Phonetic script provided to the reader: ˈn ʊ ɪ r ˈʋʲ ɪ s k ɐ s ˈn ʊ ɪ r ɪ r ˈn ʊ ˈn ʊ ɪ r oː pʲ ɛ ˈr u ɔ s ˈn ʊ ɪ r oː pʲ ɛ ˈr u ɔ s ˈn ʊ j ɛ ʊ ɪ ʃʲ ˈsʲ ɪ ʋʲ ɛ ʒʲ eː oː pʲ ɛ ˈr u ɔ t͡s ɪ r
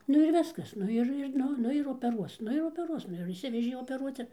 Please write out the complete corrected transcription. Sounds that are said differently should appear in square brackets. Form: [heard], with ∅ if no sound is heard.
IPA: ˈn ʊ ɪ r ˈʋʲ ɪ s k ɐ s ˈn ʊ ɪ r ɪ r ˈn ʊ ˈn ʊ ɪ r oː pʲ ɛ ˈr u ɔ s ˈn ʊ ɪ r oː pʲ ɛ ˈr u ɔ s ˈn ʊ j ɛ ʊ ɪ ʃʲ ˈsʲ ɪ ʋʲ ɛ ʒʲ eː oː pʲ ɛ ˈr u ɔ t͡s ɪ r